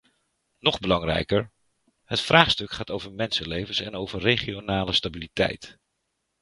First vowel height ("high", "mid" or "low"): mid